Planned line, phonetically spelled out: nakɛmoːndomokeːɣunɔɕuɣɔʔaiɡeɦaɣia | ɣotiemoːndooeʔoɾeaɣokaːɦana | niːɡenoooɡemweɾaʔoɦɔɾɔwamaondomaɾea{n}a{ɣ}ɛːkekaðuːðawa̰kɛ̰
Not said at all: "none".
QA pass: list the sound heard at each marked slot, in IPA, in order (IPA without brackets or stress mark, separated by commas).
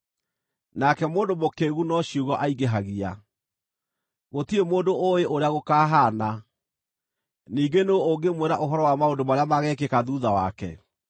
m, ɣ